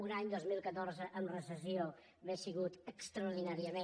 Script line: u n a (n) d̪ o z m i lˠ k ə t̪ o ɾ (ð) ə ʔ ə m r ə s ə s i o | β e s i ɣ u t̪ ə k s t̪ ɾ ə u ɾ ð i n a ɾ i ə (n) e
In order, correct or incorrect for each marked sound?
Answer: incorrect: ɲ, incorrect: z, incorrect: m

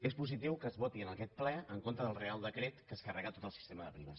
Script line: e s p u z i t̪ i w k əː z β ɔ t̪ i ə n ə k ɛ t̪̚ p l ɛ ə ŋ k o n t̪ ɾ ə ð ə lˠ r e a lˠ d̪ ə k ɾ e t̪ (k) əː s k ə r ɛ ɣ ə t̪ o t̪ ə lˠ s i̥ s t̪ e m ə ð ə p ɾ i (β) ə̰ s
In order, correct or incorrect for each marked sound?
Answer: correct, correct

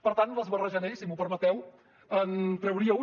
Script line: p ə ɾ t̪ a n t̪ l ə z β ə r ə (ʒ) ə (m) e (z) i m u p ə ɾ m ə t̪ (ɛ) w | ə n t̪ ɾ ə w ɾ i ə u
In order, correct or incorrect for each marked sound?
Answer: correct, incorrect: n, incorrect: s, correct

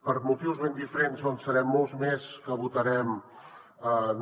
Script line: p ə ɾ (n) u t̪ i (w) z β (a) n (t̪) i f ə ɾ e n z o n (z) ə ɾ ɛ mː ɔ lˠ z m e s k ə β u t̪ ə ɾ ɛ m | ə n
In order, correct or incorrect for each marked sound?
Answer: incorrect: m, correct, incorrect: e, incorrect: d̪, incorrect: s

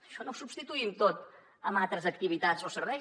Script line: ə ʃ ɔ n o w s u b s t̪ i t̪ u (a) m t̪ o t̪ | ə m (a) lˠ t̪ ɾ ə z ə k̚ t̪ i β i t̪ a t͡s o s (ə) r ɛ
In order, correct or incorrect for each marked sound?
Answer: incorrect: i, correct, correct

